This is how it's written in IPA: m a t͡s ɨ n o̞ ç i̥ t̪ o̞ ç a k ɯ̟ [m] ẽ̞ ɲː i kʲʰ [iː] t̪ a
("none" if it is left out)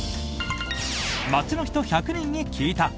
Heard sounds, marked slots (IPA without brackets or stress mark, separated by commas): n, iː